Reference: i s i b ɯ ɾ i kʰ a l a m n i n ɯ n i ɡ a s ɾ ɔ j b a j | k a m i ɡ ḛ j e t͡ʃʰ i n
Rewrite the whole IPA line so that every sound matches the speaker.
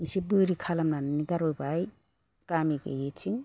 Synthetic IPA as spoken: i s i b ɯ ɾ i kʰ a l a m n a n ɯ n i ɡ a ɾ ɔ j b a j | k a m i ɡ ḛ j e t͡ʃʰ i ŋ